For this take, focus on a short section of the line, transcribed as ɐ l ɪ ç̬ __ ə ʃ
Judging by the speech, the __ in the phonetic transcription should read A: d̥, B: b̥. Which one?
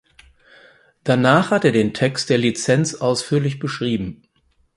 B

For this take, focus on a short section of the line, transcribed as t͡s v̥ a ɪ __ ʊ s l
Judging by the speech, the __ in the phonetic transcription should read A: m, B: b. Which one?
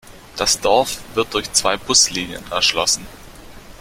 B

